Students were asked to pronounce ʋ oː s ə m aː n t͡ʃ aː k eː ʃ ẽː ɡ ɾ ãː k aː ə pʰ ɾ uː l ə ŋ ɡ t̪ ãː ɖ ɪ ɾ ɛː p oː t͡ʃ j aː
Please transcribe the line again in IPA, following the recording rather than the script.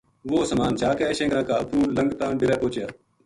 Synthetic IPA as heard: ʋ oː s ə m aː n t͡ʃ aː k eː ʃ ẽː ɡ ɾ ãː k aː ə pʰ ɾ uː l ə ŋ ɡ t̪ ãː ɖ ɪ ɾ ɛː p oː t͡ʃ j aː